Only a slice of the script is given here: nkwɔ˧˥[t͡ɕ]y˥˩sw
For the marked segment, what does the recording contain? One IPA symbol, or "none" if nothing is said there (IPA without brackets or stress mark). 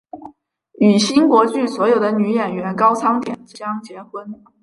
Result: t͡ɕ